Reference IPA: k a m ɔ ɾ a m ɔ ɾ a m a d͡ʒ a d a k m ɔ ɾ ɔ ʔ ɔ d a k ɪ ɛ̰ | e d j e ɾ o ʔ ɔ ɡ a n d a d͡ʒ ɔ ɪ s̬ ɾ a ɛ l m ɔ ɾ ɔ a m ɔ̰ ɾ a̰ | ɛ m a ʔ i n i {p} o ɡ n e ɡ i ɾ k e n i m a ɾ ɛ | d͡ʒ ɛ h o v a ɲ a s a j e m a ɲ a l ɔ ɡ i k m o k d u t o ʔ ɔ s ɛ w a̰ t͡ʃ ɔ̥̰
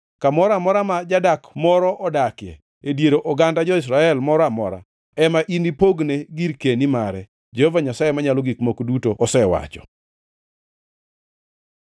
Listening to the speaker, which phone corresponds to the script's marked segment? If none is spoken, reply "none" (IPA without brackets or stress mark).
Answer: p